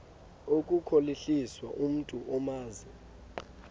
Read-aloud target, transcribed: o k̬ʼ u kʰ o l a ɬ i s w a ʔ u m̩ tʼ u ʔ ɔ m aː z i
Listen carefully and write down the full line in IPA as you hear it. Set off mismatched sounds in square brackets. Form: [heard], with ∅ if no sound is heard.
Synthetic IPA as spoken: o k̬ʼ u kʰ o l [i] ɬ i s w a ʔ u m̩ tʼ u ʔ ɔ m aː z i